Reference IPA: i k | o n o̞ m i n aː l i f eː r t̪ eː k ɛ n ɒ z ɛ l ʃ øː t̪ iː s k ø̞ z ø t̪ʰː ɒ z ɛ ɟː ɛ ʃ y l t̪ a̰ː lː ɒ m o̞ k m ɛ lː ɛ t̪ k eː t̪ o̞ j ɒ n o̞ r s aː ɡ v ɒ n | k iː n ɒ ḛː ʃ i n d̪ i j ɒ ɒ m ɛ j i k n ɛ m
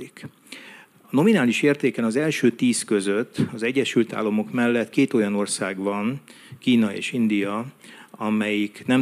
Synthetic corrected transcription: i k | ɒ n o̞ m i n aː l i ʃ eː r t̪ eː k ɛ n ɒ z ɛ l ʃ øː t̪ iː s k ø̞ z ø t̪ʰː ɒ z ɛ ɟː ɛ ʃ y l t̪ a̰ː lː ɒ m o̞ k m ɛ lː ɛ t̪ k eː t̪ o̞ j ɒ n o̞ r s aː ɡ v ɒ n | k iː n ɒ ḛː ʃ i n d̪ i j ɒ ɒ m ɛ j i k n ɛ m